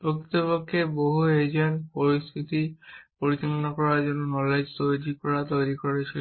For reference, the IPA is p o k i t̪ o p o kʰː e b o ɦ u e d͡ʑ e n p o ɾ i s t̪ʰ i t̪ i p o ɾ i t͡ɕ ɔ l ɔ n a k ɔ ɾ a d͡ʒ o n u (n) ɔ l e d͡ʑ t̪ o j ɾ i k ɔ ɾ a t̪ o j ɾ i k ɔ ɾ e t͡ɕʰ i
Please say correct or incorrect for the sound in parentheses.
correct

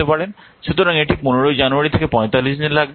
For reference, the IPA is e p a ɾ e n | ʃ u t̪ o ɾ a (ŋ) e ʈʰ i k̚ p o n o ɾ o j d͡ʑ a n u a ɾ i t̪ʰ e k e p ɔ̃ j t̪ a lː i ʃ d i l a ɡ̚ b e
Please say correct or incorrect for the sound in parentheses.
correct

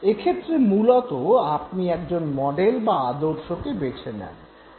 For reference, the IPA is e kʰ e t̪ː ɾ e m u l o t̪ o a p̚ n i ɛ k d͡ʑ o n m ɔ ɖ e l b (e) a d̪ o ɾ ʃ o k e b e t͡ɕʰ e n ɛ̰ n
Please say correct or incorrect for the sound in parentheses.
incorrect: a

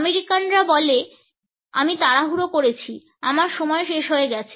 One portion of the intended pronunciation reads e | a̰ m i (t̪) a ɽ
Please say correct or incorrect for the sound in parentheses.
correct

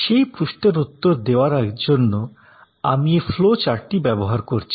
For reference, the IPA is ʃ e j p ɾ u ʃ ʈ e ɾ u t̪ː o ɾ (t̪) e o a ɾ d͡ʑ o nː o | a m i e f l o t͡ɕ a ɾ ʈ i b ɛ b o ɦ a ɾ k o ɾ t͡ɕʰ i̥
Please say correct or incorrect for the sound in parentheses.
incorrect: d̪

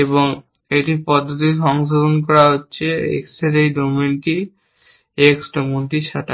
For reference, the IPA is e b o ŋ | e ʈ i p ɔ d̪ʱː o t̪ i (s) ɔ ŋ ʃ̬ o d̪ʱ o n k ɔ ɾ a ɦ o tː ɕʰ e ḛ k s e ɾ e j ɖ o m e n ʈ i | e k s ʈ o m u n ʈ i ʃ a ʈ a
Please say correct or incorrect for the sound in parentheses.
incorrect: ʃ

